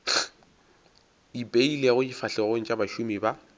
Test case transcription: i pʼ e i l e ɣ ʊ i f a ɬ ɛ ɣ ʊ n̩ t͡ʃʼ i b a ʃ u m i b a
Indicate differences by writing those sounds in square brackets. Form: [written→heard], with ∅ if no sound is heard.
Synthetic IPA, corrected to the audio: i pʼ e i l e ɣ ʊ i f a ɬ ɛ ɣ ʊ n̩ t͡ʃʼ [i→a] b a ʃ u m i b a